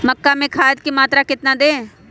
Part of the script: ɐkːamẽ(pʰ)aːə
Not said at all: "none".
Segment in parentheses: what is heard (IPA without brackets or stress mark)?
kʰ